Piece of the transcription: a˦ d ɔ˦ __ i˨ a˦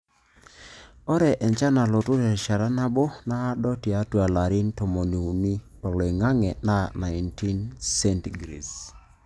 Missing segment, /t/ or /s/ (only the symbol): t